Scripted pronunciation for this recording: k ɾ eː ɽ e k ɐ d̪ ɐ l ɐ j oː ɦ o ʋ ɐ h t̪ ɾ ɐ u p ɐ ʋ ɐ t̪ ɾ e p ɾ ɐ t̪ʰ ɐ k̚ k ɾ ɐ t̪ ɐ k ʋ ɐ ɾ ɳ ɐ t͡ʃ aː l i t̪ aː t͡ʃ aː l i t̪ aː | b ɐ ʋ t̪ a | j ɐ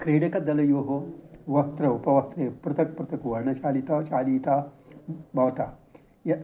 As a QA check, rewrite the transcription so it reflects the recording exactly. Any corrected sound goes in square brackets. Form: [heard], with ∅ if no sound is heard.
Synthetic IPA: k ɾ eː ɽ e k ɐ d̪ ɐ l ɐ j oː ɦ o ʋ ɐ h t̪ ɾ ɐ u p ɐ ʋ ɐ t̪ ɾ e p ɾ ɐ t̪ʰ ɐ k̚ [p] ɾ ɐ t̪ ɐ k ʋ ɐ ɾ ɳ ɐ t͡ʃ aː l i t̪ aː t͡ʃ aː l i t̪ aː | b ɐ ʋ t̪ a | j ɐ